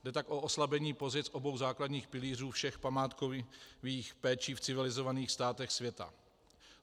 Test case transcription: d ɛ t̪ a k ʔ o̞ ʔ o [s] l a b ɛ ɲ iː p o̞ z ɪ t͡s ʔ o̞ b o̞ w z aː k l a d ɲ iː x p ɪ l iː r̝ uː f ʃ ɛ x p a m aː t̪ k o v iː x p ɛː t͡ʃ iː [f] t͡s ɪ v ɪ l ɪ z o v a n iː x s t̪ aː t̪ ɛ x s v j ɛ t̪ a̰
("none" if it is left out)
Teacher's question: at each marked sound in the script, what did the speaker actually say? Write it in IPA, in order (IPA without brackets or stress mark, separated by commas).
s, f